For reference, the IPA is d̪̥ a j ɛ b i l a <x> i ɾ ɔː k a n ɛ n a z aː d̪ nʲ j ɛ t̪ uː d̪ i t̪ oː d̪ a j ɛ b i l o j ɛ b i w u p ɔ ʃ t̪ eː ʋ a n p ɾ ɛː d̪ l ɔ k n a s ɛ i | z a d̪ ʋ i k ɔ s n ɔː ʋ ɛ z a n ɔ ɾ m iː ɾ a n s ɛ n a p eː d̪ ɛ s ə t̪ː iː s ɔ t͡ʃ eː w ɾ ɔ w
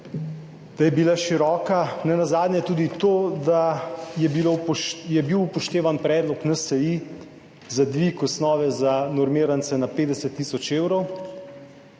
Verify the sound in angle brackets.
incorrect: ʃ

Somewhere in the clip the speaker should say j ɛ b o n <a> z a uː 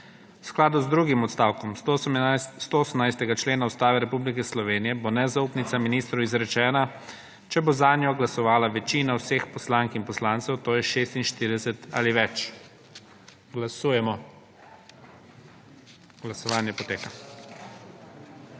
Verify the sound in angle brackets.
incorrect: ɛ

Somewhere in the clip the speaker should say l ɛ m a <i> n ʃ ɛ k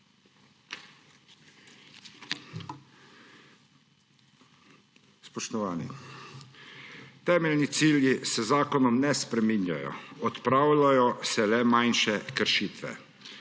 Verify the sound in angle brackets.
incorrect: j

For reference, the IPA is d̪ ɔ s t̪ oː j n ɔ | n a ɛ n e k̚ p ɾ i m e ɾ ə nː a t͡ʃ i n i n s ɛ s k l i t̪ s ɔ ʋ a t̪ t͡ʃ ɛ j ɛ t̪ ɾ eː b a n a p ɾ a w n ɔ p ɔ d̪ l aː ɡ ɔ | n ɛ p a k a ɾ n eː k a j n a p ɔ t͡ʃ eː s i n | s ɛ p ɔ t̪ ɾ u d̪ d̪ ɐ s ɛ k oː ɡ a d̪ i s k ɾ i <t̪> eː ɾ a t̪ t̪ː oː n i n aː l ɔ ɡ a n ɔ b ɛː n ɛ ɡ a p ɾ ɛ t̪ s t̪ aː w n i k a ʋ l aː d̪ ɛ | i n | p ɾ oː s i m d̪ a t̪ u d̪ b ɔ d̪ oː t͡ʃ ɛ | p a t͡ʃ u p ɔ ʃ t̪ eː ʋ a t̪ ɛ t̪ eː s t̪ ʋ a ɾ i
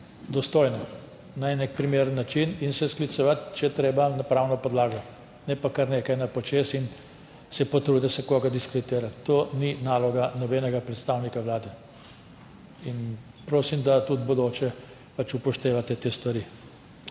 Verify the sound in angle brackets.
correct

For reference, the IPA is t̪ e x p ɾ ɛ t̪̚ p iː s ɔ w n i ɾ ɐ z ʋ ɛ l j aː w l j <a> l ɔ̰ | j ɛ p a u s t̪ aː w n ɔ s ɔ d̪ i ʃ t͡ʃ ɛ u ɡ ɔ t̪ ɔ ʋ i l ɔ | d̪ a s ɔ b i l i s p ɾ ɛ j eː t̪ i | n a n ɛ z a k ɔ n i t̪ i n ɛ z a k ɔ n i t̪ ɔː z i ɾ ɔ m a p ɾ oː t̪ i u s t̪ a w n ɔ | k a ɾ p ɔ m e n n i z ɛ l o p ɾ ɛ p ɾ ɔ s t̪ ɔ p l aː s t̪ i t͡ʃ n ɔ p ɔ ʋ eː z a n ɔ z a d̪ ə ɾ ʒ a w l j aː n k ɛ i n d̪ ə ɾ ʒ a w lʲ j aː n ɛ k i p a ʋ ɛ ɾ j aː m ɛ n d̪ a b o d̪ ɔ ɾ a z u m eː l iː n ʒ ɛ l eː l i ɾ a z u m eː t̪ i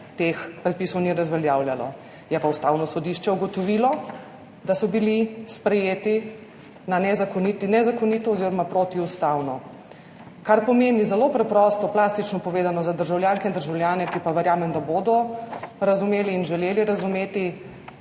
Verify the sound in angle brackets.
correct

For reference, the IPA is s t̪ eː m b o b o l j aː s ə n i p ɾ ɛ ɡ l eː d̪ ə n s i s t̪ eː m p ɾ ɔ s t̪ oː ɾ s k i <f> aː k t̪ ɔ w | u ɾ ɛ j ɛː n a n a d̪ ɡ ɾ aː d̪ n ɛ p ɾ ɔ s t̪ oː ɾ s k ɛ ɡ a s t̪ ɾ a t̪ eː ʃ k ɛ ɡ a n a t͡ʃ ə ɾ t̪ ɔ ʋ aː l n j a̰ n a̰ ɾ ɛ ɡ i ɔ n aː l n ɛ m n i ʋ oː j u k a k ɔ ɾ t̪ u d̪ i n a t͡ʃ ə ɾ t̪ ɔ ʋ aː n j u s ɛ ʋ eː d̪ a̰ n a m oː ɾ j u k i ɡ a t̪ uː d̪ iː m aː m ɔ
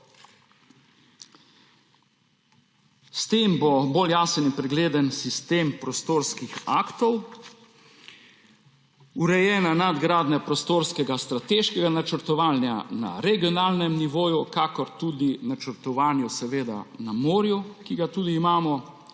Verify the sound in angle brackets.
incorrect: x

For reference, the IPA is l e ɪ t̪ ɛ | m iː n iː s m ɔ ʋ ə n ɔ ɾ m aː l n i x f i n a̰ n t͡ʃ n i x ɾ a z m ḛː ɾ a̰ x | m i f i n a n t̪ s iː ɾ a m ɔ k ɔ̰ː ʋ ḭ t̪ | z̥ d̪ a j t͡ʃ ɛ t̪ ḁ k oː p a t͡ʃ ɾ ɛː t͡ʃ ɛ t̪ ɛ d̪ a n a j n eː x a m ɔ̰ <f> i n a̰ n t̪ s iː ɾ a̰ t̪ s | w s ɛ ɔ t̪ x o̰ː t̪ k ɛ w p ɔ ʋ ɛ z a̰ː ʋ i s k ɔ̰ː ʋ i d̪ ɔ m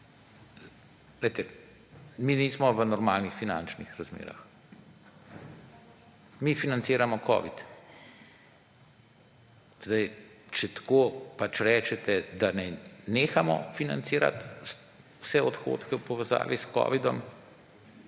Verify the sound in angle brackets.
correct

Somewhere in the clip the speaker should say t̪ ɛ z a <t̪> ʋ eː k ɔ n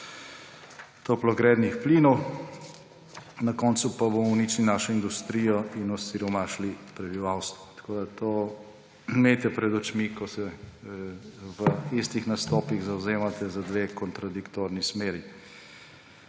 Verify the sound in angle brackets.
incorrect: d̪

